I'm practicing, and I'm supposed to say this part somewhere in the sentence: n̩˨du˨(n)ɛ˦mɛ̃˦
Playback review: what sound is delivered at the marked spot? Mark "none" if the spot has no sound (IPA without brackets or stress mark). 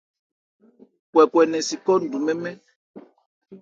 m